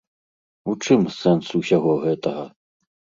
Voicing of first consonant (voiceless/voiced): voiceless